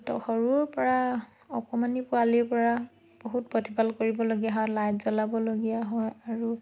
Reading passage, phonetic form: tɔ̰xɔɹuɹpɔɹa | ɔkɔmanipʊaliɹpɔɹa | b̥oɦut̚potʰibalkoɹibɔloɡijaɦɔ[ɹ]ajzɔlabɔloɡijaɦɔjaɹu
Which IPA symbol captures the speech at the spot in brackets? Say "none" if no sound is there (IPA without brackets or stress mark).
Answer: l